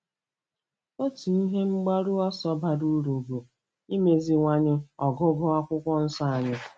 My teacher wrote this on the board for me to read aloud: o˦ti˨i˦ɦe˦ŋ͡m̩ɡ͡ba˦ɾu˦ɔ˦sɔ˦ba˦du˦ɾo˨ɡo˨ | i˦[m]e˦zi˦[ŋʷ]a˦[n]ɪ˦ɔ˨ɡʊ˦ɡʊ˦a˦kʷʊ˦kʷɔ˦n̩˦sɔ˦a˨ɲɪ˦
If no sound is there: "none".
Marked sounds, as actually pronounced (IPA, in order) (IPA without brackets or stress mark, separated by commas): m, ŋʷ, ɲ